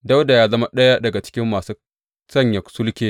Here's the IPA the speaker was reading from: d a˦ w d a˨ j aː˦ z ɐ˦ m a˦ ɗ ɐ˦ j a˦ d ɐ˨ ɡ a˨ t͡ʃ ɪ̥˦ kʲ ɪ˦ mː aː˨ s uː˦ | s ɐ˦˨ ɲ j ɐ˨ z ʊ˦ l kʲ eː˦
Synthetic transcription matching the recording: d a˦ w d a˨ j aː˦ z ɐ˦ m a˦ ɗ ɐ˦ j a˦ d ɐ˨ ɡ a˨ t͡ʃ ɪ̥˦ kʲ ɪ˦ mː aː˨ s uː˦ | s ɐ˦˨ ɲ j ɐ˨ s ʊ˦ l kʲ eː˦